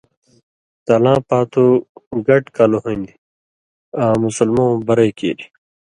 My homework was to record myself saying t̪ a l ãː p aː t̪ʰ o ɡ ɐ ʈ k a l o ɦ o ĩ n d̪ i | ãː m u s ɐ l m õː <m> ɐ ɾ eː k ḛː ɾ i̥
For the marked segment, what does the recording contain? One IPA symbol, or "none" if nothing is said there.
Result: b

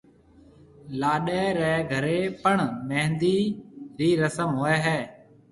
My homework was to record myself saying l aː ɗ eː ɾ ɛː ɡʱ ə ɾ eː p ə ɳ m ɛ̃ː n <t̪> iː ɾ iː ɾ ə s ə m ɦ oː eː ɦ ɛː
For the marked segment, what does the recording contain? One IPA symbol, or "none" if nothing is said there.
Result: d̪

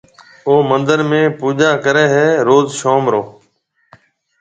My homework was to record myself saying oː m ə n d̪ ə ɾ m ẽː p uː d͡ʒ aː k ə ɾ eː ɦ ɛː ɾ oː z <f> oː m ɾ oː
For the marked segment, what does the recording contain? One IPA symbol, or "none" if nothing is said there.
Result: ʃ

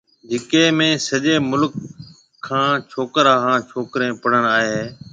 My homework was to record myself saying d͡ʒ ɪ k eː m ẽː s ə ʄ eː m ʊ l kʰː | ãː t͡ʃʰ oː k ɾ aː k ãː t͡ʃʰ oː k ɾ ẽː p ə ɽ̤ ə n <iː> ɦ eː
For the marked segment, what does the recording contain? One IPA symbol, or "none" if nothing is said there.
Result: aː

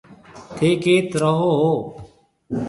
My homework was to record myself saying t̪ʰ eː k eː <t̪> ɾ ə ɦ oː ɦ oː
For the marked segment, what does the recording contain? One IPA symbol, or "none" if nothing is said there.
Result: t̪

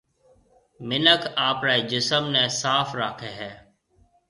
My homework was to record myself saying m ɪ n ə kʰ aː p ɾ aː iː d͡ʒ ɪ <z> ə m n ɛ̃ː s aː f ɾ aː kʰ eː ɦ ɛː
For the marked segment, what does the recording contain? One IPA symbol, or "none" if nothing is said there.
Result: s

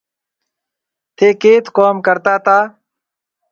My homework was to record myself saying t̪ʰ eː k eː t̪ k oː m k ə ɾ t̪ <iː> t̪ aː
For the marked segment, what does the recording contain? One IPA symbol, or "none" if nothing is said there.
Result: aː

